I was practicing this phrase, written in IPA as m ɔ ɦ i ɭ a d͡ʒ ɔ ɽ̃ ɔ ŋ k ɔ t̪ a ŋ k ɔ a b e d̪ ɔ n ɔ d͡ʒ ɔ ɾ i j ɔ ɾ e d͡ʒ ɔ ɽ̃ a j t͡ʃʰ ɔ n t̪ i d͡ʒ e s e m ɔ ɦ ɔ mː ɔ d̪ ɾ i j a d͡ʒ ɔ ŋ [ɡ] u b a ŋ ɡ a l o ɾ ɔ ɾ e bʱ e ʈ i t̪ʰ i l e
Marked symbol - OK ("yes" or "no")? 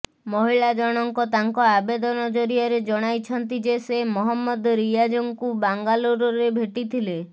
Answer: no